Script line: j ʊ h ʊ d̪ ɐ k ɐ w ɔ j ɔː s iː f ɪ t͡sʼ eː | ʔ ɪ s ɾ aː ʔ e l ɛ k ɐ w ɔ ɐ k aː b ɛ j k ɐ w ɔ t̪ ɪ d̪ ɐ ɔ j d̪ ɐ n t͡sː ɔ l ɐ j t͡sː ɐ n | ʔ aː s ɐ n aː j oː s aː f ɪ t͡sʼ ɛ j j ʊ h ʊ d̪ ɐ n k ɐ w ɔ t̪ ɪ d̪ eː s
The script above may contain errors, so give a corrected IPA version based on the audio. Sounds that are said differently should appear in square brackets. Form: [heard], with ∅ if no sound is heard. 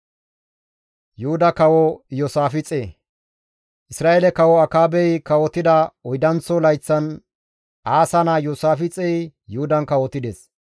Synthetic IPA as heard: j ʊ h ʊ d̪ ɐ k ɐ w ɔ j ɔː s [aː] f ɪ t͡sʼ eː | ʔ ɪ s ɾ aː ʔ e l ɛ k ɐ w ɔ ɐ k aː b ɛ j k ɐ w ɔ t̪ ɪ d̪ ɐ ɔ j d̪ ɐ n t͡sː ɔ l ɐ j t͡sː ɐ n | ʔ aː s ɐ n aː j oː s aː f ɪ t͡sʼ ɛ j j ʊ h ʊ d̪ ɐ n k ɐ w ɔ t̪ ɪ d̪ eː s